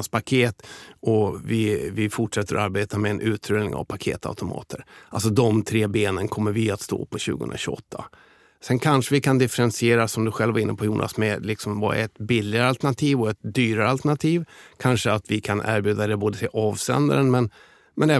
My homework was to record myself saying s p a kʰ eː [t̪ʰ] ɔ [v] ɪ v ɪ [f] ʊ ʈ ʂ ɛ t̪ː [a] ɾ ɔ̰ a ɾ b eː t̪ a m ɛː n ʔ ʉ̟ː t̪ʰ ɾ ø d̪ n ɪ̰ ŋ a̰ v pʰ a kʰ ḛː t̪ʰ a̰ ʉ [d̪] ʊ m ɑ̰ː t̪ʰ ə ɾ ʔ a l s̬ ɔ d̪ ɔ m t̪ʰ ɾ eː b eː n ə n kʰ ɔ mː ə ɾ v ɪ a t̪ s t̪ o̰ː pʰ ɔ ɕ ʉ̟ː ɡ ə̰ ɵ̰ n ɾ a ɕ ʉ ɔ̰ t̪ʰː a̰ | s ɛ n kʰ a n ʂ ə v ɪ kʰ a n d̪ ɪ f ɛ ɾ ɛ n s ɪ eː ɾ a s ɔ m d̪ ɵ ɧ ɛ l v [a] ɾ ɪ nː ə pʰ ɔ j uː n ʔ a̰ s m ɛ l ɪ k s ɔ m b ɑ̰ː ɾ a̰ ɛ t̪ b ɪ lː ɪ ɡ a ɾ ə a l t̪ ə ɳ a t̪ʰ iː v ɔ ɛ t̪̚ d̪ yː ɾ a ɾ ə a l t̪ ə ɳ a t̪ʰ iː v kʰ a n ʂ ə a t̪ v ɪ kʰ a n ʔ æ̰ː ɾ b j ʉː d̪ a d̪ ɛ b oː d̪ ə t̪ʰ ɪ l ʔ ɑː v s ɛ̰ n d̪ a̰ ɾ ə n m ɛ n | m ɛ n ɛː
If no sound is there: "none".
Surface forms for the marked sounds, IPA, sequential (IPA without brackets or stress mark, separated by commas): t̪, v, f, ə, t̪, a